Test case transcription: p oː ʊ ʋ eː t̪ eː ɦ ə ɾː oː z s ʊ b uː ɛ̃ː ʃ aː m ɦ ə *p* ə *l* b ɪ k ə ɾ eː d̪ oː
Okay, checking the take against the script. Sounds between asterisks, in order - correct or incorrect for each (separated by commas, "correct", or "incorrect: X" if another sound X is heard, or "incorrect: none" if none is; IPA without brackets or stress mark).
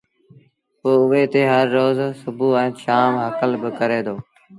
incorrect: k, correct